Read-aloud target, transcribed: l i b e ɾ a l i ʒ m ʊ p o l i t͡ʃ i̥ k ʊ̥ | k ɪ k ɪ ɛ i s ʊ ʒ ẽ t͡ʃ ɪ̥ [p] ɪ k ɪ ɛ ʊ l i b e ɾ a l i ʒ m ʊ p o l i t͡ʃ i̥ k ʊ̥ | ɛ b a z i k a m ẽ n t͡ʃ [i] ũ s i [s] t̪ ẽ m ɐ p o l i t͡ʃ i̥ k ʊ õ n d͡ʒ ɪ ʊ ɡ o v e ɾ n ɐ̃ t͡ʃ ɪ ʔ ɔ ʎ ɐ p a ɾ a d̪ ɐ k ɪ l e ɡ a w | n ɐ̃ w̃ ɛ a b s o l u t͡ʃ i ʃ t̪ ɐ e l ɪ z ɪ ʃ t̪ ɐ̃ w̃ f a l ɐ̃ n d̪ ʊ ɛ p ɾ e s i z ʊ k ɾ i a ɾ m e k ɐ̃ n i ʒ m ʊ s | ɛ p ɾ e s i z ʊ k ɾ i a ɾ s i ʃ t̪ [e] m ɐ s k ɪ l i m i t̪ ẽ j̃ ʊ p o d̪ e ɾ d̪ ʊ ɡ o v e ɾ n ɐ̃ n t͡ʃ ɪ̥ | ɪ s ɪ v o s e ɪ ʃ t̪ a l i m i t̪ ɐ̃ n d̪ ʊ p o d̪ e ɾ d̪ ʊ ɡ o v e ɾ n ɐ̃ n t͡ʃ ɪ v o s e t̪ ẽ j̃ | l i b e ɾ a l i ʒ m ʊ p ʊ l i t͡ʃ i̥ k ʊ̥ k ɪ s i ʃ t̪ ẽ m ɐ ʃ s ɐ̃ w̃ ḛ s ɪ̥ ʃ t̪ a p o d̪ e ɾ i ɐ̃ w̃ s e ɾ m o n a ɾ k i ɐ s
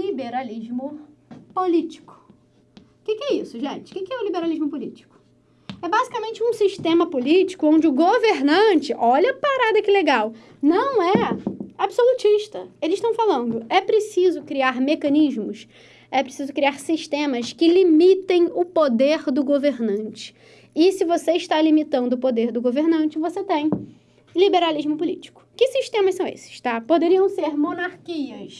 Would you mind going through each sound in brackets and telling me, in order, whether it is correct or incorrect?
incorrect, incorrect, incorrect, incorrect

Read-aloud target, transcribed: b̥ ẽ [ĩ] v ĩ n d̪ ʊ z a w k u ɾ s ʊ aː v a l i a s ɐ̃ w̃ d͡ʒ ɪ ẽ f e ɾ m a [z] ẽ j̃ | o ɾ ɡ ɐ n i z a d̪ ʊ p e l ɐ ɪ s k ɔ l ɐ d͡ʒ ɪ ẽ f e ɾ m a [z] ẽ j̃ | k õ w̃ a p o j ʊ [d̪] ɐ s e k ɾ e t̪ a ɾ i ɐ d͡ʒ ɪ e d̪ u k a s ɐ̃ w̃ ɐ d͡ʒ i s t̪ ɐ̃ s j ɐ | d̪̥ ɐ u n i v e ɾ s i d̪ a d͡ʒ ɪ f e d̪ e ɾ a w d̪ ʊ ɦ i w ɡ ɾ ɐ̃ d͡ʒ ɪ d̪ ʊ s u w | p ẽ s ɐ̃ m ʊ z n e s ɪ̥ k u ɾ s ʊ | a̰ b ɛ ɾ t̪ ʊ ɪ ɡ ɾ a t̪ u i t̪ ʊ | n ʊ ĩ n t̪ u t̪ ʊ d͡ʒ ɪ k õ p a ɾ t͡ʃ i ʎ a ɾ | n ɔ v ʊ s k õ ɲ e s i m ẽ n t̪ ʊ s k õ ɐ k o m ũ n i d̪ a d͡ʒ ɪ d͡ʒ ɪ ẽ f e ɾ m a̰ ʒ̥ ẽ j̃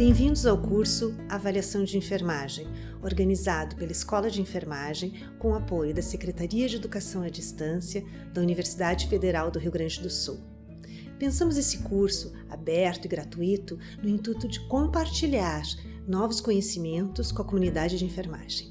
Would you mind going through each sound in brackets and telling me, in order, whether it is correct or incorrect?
incorrect, incorrect, incorrect, correct

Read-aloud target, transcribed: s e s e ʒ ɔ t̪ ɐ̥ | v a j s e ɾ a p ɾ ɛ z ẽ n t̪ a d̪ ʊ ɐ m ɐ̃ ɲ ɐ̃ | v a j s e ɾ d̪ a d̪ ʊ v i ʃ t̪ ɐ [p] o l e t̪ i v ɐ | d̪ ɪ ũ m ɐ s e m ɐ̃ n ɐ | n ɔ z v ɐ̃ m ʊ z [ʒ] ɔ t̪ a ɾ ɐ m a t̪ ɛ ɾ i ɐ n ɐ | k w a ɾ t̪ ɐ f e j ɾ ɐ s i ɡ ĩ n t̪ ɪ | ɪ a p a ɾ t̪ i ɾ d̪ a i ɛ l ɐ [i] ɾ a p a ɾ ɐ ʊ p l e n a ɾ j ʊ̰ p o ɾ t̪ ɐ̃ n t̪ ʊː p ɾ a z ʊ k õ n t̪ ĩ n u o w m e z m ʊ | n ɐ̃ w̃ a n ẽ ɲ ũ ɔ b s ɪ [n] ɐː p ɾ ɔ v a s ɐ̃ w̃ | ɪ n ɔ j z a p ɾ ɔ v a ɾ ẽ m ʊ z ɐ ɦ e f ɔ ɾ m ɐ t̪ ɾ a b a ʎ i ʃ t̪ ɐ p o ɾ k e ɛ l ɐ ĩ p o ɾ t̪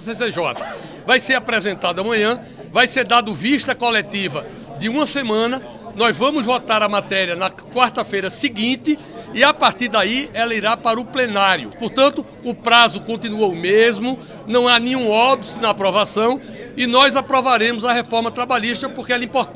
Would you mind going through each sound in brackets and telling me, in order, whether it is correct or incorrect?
incorrect, incorrect, correct, correct

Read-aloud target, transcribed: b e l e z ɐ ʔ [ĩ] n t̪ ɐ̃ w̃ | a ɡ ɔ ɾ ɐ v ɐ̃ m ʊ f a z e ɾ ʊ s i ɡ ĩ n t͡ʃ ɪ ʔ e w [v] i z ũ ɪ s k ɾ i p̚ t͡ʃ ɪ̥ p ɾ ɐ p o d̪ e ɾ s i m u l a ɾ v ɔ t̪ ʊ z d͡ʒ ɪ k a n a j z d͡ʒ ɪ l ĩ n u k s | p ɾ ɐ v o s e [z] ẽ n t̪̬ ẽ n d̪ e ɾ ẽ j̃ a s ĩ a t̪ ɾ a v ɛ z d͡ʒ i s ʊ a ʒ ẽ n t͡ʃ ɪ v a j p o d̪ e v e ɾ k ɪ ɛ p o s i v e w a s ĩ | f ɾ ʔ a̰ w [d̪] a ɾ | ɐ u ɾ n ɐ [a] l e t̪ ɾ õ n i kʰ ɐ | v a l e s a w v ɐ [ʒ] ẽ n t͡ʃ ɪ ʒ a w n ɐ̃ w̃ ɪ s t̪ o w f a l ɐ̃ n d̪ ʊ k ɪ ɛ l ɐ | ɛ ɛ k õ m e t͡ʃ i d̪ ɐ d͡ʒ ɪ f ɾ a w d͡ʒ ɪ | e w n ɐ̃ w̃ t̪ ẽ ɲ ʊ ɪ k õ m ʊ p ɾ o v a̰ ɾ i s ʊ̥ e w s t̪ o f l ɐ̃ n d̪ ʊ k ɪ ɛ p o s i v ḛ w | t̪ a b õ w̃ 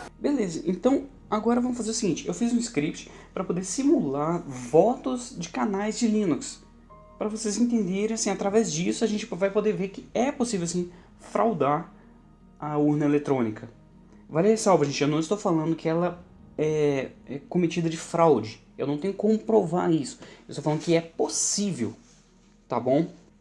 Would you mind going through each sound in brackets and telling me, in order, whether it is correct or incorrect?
incorrect, incorrect, correct, correct, incorrect, correct

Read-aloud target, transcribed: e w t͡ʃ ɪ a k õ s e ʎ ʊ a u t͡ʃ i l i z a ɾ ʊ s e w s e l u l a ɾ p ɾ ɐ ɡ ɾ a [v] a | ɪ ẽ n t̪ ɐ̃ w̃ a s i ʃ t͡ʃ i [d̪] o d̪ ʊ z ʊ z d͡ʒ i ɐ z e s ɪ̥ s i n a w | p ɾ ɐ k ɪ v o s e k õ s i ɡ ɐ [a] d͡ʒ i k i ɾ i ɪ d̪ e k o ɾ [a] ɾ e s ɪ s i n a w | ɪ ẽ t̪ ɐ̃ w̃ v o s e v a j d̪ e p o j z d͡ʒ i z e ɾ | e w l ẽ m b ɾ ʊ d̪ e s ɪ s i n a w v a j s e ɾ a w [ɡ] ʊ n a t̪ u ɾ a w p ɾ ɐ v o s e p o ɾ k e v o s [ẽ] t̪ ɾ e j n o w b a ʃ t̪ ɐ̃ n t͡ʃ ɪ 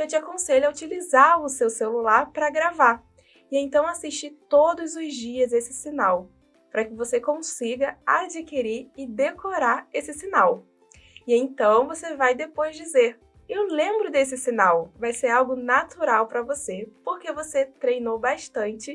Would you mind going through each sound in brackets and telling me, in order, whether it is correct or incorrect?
correct, incorrect, correct, correct, correct, incorrect

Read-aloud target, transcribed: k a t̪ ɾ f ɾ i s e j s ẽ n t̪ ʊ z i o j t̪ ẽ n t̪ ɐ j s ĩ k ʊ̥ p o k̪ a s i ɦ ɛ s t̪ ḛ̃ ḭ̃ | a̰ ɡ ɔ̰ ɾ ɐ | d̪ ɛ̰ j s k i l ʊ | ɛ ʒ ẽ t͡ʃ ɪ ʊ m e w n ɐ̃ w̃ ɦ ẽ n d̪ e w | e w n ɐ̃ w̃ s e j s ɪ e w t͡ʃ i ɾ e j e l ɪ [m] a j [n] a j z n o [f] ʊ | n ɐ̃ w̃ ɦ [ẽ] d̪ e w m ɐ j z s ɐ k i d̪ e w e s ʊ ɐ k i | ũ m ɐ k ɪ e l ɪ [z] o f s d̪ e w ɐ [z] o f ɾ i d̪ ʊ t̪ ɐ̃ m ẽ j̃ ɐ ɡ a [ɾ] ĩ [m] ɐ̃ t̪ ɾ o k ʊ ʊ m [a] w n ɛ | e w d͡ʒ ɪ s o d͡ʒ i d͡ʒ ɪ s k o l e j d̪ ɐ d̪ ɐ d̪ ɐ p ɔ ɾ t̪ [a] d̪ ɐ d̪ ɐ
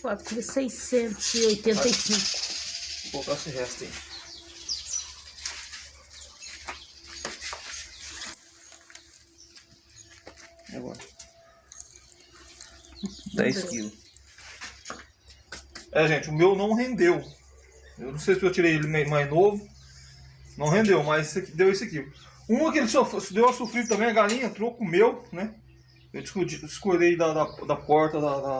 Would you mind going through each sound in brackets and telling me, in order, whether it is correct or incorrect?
correct, incorrect, incorrect, correct, incorrect, incorrect, incorrect, incorrect, incorrect, incorrect

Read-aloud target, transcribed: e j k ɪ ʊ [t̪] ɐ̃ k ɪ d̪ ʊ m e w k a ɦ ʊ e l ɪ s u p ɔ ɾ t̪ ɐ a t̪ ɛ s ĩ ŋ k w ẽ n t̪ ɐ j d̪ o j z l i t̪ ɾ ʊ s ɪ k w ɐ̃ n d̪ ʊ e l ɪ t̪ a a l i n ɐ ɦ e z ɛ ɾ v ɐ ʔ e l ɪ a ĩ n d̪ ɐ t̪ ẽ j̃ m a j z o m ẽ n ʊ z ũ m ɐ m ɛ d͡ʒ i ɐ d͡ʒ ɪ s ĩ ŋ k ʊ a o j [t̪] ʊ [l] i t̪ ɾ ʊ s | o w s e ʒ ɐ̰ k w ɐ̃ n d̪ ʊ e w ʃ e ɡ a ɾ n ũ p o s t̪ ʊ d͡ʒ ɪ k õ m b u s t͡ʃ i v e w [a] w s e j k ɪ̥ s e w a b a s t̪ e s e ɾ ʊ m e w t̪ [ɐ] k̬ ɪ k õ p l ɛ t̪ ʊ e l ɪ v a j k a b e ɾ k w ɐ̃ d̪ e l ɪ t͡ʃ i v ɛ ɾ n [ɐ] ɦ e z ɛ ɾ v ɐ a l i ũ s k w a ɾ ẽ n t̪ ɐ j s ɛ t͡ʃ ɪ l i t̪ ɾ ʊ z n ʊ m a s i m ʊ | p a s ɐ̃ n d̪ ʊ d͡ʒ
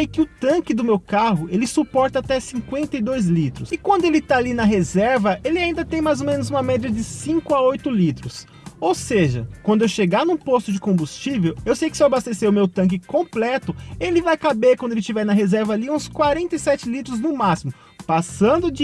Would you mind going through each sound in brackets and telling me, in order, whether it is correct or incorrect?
correct, correct, correct, incorrect, incorrect, correct

